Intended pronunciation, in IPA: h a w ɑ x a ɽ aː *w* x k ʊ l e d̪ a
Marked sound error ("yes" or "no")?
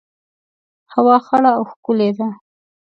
no